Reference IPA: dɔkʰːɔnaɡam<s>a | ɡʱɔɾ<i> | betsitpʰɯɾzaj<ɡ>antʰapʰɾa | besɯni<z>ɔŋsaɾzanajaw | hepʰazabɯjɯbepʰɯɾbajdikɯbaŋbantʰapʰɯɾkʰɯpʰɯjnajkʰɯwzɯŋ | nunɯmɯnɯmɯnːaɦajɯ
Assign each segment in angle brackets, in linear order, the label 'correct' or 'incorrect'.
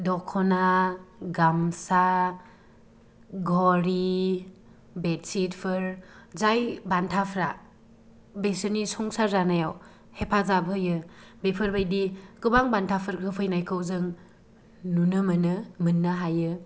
correct, correct, incorrect, incorrect

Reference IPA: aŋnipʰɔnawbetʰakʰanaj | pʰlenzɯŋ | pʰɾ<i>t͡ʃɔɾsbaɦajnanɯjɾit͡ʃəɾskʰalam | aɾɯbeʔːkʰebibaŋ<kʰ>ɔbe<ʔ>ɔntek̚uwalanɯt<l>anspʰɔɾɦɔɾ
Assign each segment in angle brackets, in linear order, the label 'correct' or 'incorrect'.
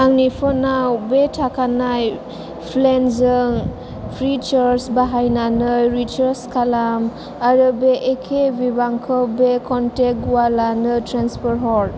correct, correct, incorrect, incorrect

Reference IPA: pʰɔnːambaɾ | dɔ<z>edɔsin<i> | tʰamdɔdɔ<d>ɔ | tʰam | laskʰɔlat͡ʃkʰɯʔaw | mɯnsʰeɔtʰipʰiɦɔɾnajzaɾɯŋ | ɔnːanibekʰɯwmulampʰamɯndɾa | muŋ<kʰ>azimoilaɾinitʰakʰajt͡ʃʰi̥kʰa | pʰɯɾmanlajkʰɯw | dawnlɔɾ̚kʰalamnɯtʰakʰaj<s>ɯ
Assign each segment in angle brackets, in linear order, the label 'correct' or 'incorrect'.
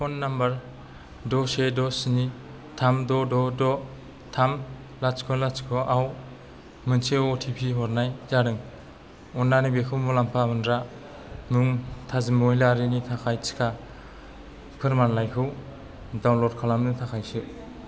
incorrect, correct, correct, incorrect, correct

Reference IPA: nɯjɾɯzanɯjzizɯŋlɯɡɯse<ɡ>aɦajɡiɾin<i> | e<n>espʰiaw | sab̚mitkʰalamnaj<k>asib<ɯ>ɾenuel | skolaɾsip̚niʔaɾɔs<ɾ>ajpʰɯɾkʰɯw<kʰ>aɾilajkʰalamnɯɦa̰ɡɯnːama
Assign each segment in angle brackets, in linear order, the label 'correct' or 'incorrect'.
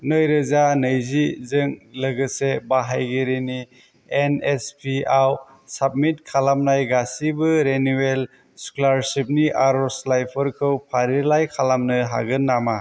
incorrect, correct, correct, incorrect, correct, incorrect, incorrect

